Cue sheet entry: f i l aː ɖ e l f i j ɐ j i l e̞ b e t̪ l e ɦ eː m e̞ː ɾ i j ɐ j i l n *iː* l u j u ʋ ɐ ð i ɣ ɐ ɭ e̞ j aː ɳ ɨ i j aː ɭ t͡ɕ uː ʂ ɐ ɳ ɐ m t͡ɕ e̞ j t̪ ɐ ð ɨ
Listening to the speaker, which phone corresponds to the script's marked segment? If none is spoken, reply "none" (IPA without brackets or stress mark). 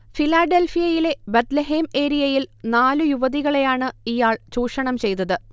aː